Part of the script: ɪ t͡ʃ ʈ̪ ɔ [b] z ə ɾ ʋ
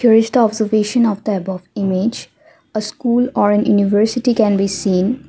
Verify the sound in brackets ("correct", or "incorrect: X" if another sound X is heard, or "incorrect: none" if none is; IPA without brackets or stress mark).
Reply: correct